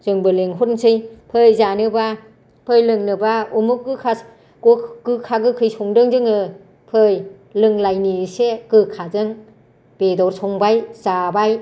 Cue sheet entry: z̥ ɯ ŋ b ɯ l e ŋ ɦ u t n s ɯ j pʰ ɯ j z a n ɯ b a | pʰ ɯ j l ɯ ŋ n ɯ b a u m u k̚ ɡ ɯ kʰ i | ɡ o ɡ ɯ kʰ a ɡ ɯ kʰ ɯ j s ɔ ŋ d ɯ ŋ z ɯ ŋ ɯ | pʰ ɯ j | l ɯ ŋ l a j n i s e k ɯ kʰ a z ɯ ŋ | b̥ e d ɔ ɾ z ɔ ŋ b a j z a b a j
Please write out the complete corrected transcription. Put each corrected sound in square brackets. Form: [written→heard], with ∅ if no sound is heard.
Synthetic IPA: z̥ ɯ ŋ b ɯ l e ŋ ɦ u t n s ɯ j pʰ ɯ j z a n ɯ b a | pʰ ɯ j l ɯ ŋ n ɯ b a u m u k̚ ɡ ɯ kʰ [i→a] | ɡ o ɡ ɯ kʰ a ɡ ɯ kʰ ɯ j s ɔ ŋ d ɯ ŋ z ɯ ŋ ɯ | pʰ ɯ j | l ɯ ŋ l a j n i s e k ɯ kʰ a z ɯ ŋ | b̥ e d ɔ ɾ [z→s] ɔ ŋ b a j z a b a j